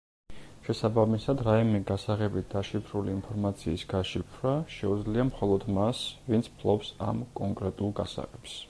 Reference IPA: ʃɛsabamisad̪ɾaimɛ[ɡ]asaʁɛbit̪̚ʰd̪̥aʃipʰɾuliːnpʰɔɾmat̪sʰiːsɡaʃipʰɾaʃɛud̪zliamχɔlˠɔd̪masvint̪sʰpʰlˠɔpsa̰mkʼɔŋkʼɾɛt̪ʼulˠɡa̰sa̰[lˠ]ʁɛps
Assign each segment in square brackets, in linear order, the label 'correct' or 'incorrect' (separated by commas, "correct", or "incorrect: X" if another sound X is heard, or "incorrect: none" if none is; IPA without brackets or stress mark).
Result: correct, incorrect: none